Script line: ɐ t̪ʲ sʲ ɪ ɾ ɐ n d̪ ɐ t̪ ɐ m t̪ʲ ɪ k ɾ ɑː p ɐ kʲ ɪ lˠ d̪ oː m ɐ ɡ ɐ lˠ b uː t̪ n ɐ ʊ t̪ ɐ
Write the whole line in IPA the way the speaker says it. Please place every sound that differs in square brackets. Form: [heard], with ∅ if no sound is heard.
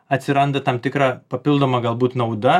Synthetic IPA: ɐ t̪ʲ sʲ ɪ ɾ ɐ n d̪ ɐ t̪ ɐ m t̪ʲ ɪ k ɾ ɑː p ɐ [pʲ] ɪ lˠ d̪ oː m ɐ ɡ ɐ lˠ b uː t̪ n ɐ ʊ [d̪] ɐ